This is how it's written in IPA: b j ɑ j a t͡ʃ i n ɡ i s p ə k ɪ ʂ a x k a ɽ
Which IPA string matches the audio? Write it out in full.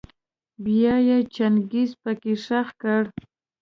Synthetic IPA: b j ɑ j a t͡ʃ a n ɡ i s p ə k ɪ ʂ a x k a ɽ